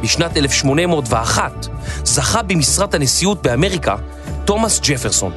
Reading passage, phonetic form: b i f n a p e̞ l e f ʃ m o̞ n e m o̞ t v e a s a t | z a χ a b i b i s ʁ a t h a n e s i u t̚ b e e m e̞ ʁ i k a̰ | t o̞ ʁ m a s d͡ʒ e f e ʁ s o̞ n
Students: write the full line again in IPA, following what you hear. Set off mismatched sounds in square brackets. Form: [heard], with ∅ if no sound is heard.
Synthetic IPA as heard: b i [ʃ] n a [t] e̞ l e f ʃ m o̞ n e m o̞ t v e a [χ] a t | z a χ a b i [m] i s ʁ a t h a n e s i u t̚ b e [a] m e̞ ʁ i k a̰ | t o̞ [∅] m a s d͡ʒ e f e ʁ s o̞ n